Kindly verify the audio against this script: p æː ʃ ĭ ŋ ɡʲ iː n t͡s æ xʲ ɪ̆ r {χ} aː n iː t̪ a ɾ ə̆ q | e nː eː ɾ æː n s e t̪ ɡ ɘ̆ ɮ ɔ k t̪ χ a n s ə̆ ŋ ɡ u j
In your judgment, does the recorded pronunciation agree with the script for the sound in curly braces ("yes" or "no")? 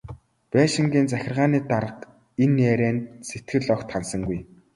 no